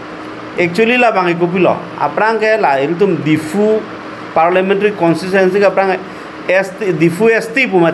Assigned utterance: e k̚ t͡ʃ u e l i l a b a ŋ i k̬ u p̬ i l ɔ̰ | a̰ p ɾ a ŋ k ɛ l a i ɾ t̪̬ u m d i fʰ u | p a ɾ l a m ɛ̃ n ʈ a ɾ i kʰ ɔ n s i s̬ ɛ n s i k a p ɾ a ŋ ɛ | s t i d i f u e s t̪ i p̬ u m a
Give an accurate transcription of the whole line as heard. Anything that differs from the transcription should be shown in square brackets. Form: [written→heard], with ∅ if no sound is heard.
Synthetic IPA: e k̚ t͡ʃ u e l i l a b a ŋ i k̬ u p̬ i l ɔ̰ | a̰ p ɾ a ŋ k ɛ l a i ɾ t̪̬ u m d i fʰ u | p a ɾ l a m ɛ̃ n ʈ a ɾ i [kʰ→k] ɔ n s i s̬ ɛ n s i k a p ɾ a ŋ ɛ | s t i d i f u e s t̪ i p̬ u m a